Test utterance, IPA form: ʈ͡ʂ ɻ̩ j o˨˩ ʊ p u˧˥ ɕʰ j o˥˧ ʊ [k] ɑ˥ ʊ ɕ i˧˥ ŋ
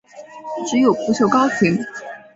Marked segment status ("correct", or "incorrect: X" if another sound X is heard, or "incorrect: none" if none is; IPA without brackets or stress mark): correct